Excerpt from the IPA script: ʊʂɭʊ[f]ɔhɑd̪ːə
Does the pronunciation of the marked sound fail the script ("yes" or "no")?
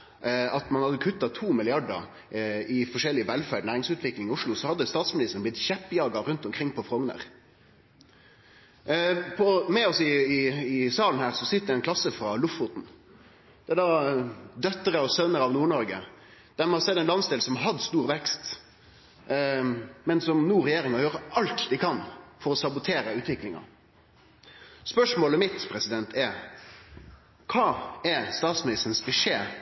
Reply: yes